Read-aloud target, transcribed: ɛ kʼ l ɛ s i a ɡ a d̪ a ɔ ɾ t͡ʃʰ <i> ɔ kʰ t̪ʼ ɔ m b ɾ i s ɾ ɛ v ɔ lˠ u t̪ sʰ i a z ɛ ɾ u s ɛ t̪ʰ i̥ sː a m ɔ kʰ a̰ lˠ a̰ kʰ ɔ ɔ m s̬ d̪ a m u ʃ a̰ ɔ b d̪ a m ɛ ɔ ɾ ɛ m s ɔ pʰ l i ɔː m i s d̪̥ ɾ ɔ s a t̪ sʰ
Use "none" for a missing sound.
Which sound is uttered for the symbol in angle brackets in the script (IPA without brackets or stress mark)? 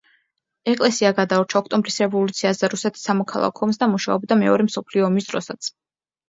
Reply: a